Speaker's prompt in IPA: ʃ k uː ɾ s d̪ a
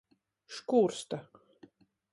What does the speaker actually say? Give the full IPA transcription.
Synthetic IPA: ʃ k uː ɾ s t̪ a